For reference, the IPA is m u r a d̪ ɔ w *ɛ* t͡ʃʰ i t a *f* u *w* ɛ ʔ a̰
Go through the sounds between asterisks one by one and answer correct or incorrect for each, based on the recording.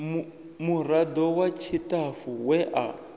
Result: incorrect, correct, correct

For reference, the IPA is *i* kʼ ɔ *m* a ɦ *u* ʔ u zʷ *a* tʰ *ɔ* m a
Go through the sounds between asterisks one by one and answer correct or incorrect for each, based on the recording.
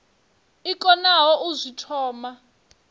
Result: correct, incorrect, incorrect, incorrect, incorrect

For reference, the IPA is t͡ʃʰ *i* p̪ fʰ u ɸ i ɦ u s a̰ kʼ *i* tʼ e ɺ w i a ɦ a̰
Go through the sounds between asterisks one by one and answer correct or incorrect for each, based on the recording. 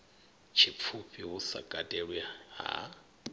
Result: correct, incorrect

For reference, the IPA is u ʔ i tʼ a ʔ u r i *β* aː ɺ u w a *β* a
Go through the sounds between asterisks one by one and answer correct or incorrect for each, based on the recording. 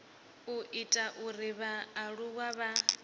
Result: correct, correct

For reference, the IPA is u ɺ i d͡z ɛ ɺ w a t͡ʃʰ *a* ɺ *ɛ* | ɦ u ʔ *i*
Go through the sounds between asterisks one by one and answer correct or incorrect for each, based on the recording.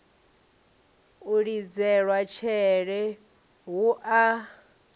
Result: incorrect, correct, incorrect

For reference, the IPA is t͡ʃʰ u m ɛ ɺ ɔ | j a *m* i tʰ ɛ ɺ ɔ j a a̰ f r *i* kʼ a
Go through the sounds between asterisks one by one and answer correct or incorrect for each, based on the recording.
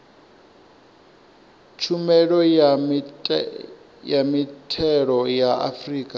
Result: correct, incorrect

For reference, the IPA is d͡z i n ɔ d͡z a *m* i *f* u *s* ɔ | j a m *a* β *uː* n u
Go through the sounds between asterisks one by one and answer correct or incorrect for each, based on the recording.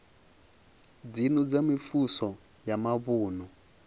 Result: correct, correct, correct, correct, correct

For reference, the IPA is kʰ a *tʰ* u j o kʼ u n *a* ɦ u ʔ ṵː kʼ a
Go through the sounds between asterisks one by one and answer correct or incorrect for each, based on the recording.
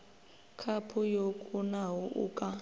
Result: incorrect, correct

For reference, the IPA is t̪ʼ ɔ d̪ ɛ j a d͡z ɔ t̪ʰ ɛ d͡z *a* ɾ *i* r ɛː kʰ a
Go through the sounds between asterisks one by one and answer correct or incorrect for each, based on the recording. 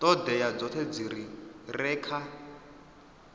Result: incorrect, correct

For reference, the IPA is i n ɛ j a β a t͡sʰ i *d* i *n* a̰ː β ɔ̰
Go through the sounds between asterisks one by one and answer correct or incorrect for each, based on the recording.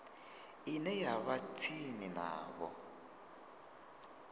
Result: incorrect, correct

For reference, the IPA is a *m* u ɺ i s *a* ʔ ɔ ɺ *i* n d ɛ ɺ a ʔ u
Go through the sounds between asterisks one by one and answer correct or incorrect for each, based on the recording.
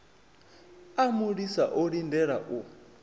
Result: correct, correct, correct

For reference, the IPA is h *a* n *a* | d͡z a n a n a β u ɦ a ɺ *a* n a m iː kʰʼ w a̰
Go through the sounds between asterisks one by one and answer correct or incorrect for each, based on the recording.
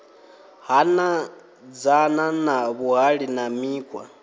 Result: correct, correct, incorrect

